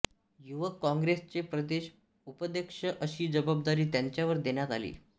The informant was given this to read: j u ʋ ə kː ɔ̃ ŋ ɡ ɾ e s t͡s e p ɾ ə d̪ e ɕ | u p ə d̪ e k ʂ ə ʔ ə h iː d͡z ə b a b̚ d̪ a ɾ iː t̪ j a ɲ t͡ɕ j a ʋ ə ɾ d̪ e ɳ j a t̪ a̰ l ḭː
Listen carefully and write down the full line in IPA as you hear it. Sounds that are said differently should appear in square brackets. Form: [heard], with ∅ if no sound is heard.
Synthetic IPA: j u ʋ ə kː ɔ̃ ŋ ɡ ɾ e s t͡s e p ɾ ə d̪ e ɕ | u p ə d̪ e k ʂ ə ʔ ə [ɕ] iː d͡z ə b a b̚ d̪ a ɾ iː t̪ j a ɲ t͡ɕ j a ʋ ə ɾ d̪ e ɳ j a t̪ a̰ l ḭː